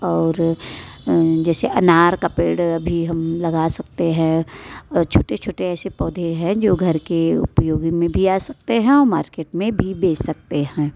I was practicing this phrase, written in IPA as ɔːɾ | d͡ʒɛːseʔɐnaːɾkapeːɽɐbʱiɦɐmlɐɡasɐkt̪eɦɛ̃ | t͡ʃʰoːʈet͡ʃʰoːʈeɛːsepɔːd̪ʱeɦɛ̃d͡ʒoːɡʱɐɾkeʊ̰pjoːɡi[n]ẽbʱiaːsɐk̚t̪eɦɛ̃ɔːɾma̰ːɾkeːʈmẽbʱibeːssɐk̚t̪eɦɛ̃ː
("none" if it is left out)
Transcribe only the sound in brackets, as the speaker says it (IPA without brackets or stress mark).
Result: m